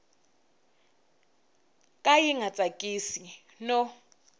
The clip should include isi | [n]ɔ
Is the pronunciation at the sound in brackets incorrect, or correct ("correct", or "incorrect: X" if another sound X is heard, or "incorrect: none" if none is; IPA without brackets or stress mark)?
correct